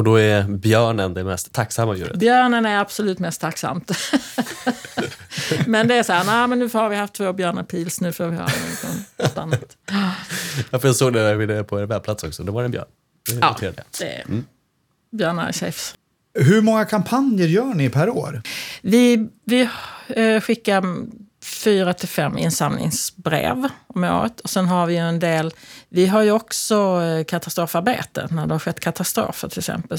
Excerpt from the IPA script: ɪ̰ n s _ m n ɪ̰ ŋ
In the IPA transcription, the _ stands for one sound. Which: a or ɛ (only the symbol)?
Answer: a